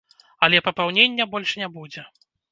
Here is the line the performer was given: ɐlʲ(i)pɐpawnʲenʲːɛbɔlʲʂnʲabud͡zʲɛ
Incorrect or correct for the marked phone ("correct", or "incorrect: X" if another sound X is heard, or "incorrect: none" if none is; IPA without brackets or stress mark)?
incorrect: ɛ